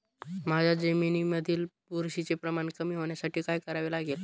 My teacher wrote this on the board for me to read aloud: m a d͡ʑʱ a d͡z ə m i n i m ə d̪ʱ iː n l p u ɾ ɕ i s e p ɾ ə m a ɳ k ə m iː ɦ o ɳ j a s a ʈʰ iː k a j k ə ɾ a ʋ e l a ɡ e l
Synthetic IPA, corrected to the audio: m a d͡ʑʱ a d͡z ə m i n i m ə d̪ʱ iː l p u ɾ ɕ i t͡s e p ɾ ə m a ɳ k ə m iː ɦ o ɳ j a s a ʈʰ iː k a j k ə ɾ a ʋ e l a ɡ e l